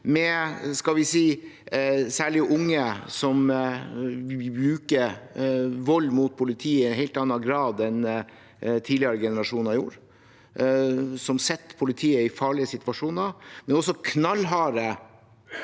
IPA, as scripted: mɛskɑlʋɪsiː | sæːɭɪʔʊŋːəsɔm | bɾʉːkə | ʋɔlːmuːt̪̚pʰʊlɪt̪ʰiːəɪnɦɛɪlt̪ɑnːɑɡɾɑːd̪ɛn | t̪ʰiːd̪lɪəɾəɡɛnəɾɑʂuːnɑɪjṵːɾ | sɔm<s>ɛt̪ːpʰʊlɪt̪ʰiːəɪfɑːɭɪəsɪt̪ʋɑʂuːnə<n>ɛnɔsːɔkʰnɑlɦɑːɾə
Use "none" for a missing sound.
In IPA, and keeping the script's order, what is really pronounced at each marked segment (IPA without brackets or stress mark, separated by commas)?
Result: s, m